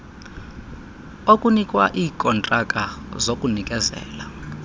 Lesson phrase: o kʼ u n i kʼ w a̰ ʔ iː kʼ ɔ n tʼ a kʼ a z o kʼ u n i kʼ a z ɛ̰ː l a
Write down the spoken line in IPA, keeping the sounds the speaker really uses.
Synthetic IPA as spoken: o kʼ u n i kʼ w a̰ ʔ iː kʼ ɔ n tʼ a kʼ a z o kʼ u n i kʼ ɛ z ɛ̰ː l a